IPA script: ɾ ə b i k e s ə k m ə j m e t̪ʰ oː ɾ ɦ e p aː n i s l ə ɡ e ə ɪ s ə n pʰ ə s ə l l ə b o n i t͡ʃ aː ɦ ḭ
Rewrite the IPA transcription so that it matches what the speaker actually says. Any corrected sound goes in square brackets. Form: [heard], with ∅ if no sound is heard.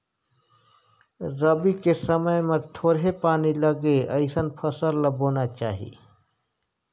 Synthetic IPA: ɾ ə b i k e s ə [∅] m ə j m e t̪ʰ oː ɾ ɦ e p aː n i [∅] l ə ɡ e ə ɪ s ə n pʰ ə s ə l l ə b o n [a] t͡ʃ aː ɦ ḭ

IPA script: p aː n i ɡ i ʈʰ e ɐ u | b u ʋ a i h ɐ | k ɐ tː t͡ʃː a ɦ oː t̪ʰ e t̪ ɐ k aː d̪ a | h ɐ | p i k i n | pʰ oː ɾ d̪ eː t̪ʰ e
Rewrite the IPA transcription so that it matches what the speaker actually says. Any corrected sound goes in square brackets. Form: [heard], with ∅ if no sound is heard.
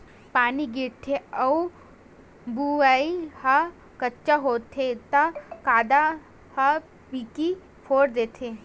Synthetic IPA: p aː n i ɡ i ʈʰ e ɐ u | b u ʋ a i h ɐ | k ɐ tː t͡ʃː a ɦ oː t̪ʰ e t̪ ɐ k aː d̪ a | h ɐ | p i k i [∅] | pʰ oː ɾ d̪ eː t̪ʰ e

